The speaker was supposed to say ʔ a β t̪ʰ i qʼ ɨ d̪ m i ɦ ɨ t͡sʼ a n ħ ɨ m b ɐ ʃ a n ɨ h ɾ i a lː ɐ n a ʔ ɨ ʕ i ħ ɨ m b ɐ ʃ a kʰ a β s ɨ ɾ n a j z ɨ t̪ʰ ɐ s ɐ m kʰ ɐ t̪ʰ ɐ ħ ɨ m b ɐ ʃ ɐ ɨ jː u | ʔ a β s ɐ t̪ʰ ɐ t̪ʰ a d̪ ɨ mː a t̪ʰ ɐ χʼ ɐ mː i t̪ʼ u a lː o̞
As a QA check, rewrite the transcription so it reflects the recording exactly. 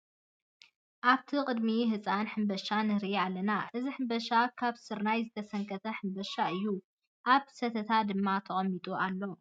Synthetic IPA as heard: ʔ a β t̪ʰ i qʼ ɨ d̪ m i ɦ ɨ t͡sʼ a n ħ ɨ m b ɐ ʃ a n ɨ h ɾ i a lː ɐ n a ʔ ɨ z i ħ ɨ m b ɐ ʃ a kʰ a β s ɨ ɾ n a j z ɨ t̪ʰ ɐ s ɐ ŋ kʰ ɐ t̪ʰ ɐ ħ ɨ m b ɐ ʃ a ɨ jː u | ʔ a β s ɐ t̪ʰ ɐ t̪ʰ a d̪ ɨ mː a t̪ʰ ɐ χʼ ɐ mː i t̪ʼ u a lː o̞